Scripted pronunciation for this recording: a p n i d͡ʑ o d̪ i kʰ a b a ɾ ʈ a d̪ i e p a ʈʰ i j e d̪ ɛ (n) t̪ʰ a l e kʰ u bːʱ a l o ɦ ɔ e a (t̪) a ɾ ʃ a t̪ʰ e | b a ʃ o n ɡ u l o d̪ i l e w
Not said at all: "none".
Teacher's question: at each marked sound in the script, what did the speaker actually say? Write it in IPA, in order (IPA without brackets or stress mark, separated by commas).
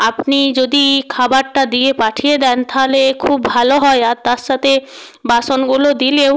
n, t̪